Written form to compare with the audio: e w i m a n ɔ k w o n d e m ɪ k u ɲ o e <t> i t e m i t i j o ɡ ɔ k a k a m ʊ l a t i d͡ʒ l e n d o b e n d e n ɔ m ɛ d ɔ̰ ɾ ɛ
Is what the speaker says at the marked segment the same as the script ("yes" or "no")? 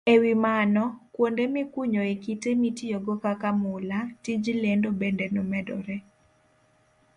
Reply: no